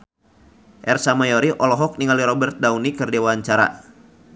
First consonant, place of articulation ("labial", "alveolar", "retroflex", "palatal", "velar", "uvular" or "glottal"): glottal